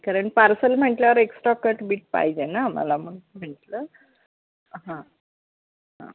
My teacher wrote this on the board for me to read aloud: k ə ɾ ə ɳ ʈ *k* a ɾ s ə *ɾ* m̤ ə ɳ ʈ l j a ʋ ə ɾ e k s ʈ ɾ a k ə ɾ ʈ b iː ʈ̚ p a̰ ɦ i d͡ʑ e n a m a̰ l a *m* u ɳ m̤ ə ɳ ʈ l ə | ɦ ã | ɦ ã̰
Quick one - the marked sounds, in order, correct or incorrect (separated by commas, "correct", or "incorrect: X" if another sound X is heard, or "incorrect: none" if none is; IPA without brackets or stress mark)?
incorrect: p, incorrect: l, correct